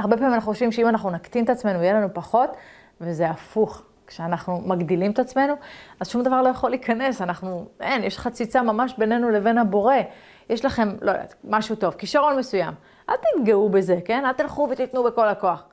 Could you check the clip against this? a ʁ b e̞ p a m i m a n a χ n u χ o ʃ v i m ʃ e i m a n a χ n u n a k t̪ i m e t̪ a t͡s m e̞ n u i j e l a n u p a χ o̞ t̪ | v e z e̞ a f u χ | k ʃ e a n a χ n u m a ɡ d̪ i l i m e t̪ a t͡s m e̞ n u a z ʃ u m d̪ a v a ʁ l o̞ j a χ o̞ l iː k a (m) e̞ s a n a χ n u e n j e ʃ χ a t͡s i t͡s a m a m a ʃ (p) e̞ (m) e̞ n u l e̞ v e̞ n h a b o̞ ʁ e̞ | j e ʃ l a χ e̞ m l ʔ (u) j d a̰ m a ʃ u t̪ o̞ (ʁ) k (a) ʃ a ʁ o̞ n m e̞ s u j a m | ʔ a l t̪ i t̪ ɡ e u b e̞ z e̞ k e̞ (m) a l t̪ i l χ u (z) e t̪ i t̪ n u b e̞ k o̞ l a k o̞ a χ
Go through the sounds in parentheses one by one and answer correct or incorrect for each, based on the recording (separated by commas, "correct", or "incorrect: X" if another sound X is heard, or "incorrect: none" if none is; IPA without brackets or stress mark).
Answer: incorrect: n, incorrect: b, incorrect: n, incorrect: o, incorrect: v, incorrect: i, incorrect: n, incorrect: v